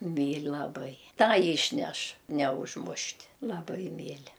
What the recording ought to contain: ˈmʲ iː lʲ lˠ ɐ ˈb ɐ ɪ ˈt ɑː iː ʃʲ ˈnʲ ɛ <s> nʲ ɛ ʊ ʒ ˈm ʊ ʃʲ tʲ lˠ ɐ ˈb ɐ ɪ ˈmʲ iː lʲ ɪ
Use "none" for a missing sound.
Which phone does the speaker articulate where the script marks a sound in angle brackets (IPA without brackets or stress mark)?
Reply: ʃ